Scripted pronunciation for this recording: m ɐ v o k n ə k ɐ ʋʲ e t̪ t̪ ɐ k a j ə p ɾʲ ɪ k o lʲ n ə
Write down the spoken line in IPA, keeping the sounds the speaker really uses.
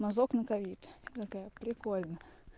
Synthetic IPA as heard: m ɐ z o k n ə k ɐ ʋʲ i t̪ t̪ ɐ k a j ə p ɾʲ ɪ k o lʲ n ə